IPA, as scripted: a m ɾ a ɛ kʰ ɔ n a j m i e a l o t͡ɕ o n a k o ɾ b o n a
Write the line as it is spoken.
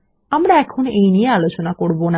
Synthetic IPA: a m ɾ a ɛ kʰ o n e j n i e a l o t͡ɕ o n a k o ɾ b o n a